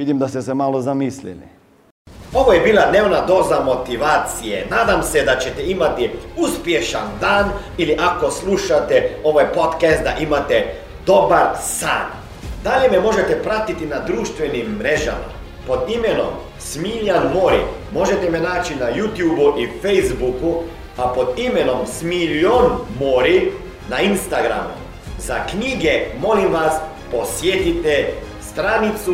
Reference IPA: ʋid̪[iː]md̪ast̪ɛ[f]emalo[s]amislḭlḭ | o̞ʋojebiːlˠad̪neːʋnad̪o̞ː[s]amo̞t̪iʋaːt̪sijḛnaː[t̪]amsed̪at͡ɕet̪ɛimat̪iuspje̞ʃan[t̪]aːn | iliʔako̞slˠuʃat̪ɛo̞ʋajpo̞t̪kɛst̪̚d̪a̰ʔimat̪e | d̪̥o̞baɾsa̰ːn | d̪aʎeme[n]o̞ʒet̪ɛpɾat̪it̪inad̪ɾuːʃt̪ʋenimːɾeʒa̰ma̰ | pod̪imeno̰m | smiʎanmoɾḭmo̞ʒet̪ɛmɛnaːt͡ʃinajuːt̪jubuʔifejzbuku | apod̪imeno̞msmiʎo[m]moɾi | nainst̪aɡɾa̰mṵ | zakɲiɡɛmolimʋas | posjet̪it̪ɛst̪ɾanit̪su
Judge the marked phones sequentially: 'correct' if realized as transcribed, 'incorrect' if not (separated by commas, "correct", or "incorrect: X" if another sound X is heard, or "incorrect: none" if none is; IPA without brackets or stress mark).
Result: incorrect: i, incorrect: s, incorrect: z, incorrect: z, incorrect: d̪, incorrect: d̪, incorrect: m, incorrect: n